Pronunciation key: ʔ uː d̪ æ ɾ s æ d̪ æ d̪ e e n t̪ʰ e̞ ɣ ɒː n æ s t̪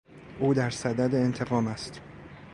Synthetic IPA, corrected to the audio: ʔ uː d̪ æ ɾ s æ d̪ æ d̪ e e n t̪ʰ e̞ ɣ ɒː m æ s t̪